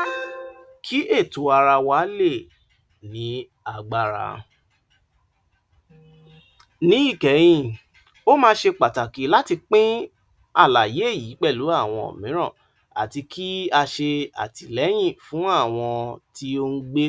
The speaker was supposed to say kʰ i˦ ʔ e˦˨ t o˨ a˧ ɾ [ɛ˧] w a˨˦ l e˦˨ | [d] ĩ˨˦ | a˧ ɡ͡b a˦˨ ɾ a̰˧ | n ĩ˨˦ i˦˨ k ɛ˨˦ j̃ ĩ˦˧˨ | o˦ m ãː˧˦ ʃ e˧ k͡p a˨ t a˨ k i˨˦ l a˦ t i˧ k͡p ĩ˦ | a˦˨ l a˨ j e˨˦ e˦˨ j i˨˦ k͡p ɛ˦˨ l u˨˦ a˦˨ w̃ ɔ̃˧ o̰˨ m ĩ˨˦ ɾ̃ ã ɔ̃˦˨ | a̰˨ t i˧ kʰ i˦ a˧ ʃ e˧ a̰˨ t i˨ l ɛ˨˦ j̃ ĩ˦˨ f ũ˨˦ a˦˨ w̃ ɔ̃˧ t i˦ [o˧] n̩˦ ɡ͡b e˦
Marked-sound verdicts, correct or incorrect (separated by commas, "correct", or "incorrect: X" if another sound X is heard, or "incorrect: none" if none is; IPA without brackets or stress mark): incorrect: a˧, incorrect: n, correct